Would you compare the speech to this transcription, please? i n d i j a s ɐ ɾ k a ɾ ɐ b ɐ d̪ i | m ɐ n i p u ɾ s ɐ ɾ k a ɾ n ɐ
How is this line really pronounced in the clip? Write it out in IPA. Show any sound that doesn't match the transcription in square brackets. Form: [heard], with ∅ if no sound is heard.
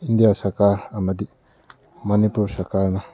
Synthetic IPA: i n d i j a s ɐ ɾ k a ɾ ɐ [m] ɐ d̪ i | m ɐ n i p u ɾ s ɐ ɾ k a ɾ n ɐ